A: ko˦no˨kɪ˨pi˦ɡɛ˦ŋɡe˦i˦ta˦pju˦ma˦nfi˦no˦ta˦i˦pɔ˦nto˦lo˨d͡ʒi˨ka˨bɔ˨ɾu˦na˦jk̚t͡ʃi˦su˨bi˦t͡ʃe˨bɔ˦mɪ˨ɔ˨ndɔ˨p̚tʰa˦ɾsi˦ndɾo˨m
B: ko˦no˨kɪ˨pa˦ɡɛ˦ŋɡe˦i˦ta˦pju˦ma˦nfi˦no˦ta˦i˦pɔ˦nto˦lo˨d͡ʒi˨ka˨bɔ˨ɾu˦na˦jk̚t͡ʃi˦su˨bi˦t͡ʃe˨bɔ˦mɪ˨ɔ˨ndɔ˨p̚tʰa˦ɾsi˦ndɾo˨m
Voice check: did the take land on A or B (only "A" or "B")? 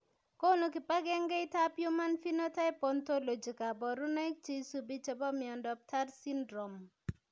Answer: B